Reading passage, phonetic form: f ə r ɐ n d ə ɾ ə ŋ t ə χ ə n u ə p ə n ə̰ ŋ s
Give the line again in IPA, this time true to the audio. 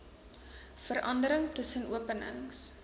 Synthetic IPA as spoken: f ə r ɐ n d ə ɾ ə ŋ t ə s ə n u ə p ə n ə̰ ŋ s